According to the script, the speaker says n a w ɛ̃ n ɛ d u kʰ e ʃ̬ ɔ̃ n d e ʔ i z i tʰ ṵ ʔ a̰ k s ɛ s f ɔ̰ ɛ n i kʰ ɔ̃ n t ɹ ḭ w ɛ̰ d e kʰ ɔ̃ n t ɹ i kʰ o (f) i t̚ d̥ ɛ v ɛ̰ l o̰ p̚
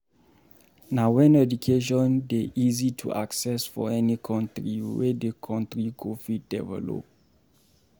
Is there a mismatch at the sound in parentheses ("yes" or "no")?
no